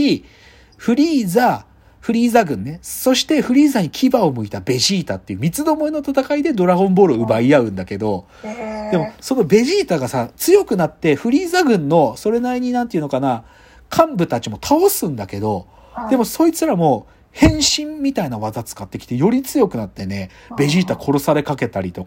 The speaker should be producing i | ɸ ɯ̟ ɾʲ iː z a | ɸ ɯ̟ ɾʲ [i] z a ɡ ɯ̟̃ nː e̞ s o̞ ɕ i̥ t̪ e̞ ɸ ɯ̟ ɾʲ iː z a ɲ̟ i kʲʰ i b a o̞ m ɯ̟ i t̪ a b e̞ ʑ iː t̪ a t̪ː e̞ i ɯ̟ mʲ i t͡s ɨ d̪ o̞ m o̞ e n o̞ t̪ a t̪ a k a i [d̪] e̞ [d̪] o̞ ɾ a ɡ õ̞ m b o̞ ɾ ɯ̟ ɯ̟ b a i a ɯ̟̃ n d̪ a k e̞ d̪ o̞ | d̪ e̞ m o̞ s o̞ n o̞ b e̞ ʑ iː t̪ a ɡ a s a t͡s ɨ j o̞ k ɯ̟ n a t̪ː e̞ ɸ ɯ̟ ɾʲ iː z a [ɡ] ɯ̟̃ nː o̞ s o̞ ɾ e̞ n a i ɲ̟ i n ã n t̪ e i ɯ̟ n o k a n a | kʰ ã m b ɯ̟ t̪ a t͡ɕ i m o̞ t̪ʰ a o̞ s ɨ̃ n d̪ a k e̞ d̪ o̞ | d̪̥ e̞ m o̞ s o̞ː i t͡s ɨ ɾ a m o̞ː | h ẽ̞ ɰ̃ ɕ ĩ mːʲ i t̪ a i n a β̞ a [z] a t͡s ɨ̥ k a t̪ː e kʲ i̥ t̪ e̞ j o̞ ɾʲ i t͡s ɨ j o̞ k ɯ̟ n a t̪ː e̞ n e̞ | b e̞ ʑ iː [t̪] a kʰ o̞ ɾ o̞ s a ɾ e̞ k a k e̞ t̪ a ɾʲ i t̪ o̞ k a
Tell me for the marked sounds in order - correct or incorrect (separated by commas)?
incorrect, correct, correct, correct, correct, correct